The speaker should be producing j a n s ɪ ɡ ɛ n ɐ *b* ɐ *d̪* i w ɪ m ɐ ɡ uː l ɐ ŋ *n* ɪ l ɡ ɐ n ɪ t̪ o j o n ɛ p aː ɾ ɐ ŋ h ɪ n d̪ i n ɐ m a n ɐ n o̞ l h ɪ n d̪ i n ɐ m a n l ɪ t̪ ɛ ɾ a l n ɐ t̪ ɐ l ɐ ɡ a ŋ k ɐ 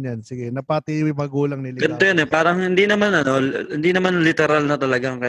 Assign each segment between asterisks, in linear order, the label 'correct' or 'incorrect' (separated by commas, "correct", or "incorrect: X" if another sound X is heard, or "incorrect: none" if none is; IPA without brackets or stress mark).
incorrect: p, incorrect: t̪, correct